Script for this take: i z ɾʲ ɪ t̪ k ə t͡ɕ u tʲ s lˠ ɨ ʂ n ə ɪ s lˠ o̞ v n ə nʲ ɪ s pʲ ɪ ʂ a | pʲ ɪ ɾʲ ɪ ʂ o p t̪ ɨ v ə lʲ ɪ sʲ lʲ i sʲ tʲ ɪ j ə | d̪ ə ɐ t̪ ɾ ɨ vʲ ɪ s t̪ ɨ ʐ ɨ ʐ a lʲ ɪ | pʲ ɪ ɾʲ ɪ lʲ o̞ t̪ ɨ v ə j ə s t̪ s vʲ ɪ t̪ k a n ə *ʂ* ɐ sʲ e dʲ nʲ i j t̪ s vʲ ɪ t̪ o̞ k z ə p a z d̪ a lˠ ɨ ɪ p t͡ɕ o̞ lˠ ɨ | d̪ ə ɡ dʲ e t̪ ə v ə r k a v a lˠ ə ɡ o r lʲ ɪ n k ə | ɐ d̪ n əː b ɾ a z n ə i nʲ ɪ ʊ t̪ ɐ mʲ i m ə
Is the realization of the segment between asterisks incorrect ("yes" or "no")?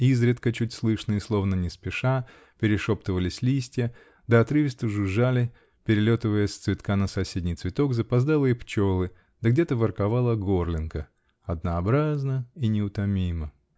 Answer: yes